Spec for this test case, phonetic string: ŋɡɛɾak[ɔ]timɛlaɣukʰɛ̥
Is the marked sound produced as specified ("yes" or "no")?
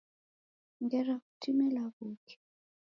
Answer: no